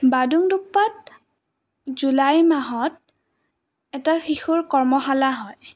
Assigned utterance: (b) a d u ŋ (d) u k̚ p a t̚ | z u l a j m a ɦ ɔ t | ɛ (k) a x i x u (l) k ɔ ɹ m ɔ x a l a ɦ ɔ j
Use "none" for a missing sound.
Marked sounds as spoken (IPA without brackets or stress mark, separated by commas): b, d, t, ɹ